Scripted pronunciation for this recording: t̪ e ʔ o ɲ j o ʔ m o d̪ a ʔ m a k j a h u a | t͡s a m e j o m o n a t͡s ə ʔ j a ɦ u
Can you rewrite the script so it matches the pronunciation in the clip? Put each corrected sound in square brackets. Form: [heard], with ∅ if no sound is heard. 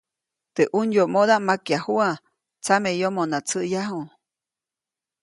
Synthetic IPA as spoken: t̪ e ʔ [u] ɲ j o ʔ m o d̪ a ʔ m a k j a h u a | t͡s a m e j o m o n a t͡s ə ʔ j a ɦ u